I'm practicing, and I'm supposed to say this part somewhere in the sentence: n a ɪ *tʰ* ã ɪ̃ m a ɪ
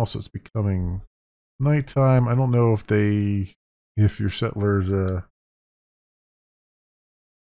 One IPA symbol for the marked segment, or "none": tʰ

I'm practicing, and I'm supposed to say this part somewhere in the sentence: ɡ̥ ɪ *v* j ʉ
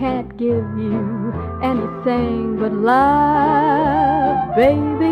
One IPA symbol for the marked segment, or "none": v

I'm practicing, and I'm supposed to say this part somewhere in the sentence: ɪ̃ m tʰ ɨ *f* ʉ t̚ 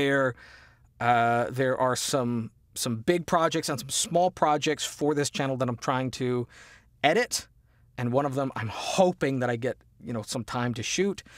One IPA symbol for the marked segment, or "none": ʃ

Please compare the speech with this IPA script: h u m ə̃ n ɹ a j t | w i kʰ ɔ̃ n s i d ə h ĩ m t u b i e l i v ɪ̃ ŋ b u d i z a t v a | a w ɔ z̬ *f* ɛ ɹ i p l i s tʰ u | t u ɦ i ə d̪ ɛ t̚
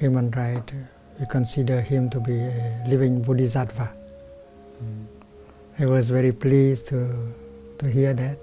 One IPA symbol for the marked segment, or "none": v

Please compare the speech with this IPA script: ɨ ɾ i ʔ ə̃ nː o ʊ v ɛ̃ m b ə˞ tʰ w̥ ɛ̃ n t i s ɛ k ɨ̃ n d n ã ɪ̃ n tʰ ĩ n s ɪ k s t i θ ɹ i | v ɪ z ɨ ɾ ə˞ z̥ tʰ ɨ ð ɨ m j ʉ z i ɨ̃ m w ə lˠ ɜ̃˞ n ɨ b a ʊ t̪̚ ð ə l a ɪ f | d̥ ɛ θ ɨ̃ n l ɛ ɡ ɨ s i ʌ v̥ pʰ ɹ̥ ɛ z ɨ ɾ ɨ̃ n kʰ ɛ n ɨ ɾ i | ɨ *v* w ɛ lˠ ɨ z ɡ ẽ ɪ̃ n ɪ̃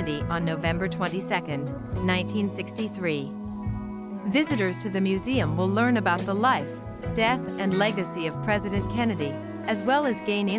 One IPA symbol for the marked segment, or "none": z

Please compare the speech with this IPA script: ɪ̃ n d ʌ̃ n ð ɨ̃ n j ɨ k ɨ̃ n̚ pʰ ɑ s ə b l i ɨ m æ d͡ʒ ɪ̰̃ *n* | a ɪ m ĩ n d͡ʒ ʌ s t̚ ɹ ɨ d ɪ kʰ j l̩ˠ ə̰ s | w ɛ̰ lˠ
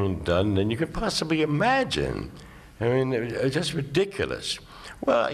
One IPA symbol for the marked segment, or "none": n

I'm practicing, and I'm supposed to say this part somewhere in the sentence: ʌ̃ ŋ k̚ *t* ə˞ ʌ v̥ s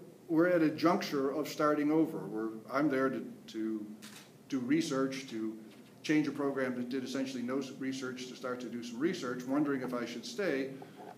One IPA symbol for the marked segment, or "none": t͡ʃ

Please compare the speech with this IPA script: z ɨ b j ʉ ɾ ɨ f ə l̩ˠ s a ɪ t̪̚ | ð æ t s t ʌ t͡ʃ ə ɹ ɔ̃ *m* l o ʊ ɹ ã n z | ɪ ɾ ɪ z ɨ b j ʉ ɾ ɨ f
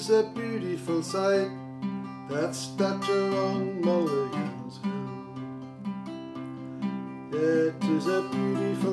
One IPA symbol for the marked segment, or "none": ŋ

